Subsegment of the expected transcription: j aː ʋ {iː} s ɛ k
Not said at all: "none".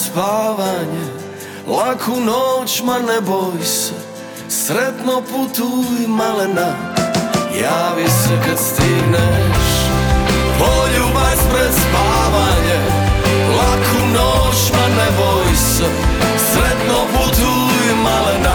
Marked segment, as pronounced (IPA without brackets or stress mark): i